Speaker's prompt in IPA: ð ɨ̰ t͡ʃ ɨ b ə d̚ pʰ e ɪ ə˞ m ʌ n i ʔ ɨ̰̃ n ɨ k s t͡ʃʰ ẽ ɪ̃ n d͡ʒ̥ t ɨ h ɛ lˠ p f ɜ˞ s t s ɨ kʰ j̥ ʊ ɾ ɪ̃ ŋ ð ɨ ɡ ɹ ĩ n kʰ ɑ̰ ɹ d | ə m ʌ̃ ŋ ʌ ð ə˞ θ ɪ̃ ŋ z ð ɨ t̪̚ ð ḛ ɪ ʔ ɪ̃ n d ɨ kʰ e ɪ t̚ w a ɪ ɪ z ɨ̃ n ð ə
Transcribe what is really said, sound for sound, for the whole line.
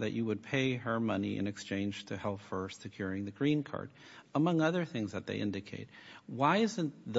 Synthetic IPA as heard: ð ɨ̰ t͡ʃ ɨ w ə d̚ pʰ e ɪ ə˞ m ʌ n i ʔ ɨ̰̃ n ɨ k s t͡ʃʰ ẽ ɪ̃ n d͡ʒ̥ tʰ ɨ h ɛ lˠ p f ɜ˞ s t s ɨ kʰ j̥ ʊ ɹ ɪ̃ ŋ ð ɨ ɡ ɹ ĩ n kʰ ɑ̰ ɹ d | ə m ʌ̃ ŋ ʌ ð ə˞ θ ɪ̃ ŋ z ð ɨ t̪̚ ð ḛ ɪ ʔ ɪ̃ n d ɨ kʰ e ɪ t̚ w a ɪ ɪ z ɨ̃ n ð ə